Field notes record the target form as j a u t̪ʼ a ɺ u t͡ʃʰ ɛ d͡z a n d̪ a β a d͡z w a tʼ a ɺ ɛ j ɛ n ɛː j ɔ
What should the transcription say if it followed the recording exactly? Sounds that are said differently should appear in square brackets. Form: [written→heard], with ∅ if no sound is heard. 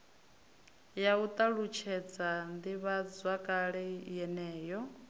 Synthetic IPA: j a u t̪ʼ a ɺ u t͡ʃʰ ɛ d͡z a n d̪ [a→i] β a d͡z w a [tʼ→kʼ] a ɺ ɛ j ɛ n ɛː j ɔ